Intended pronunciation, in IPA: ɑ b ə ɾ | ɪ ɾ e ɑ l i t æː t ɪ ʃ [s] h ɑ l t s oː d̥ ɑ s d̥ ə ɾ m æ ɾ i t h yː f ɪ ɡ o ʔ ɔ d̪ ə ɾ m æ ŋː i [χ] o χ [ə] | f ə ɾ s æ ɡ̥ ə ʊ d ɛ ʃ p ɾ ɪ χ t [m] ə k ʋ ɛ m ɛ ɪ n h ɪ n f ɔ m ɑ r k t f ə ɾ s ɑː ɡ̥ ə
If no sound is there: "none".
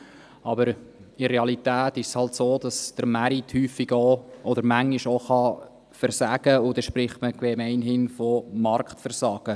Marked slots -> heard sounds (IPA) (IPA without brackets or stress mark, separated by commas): s, ʃ, ɑ, m